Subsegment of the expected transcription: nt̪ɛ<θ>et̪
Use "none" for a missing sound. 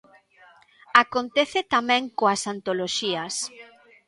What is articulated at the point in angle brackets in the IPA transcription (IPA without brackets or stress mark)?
θ